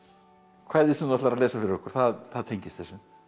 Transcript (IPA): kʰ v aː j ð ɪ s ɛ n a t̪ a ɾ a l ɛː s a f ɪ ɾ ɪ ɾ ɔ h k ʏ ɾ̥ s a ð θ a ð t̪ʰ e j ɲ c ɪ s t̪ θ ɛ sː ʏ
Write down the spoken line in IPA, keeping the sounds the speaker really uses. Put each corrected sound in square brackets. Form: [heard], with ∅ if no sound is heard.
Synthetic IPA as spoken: kʰ v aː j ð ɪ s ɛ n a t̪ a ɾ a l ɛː s a f ɪ ɾ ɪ ɾ ɔ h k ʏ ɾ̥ [θ] a ð θ a ð t̪ʰ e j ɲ c ɪ s t̪ θ ɛ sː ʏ